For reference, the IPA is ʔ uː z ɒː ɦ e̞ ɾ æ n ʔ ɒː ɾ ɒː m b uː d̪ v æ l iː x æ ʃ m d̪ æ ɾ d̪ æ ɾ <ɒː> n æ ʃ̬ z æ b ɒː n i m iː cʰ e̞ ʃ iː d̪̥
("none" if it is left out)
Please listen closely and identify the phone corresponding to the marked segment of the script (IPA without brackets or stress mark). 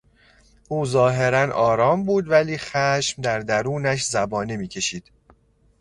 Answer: uː